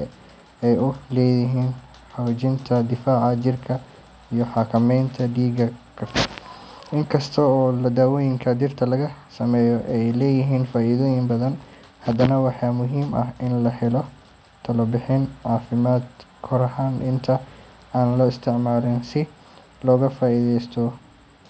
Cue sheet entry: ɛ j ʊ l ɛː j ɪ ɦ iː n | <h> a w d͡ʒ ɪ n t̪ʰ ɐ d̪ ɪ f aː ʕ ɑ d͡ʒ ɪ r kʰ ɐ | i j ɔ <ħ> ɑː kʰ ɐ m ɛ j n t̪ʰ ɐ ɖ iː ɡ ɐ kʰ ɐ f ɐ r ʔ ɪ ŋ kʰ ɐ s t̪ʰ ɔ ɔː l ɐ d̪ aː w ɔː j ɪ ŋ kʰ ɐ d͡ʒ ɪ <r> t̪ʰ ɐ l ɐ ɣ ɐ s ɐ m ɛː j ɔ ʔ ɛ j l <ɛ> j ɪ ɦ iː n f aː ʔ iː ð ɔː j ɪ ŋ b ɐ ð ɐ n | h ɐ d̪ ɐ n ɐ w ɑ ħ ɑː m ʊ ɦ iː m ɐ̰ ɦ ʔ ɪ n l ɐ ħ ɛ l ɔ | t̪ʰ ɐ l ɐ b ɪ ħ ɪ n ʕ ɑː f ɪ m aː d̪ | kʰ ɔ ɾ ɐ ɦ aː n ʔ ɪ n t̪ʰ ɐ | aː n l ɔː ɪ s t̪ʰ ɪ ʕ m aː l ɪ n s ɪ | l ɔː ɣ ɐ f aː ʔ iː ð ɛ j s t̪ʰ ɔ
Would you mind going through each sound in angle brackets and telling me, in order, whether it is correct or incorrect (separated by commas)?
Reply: incorrect, correct, correct, incorrect